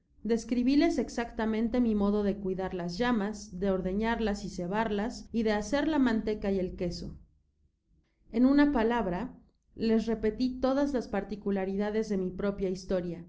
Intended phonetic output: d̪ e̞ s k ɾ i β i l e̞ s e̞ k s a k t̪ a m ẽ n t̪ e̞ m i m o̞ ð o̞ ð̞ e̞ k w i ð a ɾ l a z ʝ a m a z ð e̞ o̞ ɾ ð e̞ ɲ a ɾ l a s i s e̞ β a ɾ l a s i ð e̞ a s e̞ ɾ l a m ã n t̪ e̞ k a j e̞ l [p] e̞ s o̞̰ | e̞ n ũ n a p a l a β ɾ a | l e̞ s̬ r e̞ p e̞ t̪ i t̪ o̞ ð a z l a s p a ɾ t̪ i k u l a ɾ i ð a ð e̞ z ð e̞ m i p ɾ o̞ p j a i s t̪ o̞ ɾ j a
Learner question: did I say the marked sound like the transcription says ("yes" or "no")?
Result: no